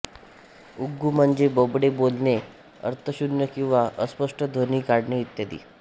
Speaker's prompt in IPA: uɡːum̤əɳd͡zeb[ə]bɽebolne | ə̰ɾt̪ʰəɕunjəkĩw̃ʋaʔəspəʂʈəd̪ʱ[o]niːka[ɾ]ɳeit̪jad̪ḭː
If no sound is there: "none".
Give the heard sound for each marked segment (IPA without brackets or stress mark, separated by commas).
ə, o, ɽ